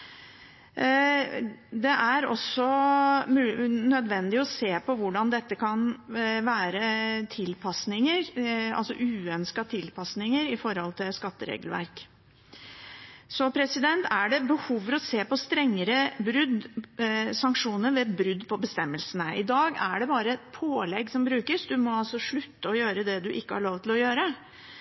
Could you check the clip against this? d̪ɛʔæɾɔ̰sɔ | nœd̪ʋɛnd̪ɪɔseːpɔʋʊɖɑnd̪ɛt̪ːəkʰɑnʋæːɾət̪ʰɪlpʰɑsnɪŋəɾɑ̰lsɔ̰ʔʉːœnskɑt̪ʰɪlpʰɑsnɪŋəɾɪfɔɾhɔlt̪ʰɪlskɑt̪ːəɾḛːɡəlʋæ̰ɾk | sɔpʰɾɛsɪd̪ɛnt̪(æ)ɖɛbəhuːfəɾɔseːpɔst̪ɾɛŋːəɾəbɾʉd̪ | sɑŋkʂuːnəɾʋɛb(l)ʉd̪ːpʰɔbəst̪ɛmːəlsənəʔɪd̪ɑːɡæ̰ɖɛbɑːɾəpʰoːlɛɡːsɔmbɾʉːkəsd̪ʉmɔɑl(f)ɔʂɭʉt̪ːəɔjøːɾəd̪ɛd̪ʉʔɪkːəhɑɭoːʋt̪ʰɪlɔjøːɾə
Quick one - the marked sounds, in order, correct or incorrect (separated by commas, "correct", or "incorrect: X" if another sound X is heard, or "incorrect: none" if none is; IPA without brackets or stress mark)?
correct, incorrect: ɾ, incorrect: s